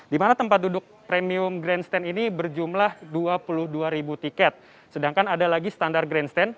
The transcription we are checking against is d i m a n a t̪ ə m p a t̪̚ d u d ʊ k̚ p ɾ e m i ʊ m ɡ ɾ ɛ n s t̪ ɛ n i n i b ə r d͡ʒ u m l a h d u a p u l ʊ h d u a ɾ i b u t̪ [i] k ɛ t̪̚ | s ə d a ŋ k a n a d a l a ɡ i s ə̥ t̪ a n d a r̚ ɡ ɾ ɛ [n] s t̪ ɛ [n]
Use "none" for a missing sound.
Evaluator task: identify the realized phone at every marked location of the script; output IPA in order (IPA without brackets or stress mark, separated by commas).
i, n, n